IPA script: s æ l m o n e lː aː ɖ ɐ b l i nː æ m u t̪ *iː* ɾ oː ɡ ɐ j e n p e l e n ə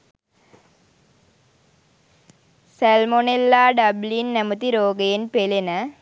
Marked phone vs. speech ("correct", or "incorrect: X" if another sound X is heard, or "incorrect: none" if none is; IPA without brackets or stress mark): incorrect: i